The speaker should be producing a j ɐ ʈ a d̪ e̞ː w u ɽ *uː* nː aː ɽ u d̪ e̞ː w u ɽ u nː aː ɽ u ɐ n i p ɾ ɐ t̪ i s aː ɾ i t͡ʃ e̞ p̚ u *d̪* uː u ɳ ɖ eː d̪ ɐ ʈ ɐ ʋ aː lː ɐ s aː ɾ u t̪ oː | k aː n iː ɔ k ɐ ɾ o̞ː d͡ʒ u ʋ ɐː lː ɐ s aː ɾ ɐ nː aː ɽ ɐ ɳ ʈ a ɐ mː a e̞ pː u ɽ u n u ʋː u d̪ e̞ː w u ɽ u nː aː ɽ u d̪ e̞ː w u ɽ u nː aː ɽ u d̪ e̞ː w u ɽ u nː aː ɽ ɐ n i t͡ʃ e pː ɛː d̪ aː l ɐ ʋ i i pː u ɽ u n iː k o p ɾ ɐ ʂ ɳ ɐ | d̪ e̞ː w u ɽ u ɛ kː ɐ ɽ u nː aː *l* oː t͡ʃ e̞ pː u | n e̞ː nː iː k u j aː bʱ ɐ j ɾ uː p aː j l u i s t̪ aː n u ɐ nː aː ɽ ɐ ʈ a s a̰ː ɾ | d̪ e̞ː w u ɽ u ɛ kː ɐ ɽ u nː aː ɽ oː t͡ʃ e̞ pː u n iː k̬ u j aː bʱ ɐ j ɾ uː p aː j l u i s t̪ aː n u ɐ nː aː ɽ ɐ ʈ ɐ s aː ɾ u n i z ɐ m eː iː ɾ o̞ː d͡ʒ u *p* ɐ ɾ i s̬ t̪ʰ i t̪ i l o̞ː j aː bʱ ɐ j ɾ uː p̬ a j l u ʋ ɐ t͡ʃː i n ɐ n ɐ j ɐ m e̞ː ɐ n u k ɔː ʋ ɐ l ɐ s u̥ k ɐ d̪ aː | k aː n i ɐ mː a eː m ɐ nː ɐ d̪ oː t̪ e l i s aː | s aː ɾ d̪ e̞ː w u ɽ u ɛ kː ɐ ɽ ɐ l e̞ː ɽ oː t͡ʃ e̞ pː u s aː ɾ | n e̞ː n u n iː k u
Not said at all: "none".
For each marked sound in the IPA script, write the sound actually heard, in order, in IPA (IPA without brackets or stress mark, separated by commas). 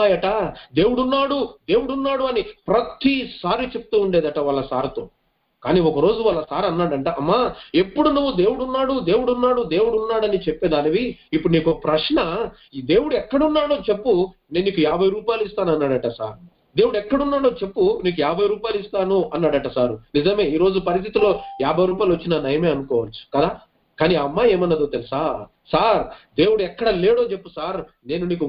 u, t̪, ɽ, p